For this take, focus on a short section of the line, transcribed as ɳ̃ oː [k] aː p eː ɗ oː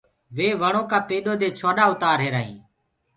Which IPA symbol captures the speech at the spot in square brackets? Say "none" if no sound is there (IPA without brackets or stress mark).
k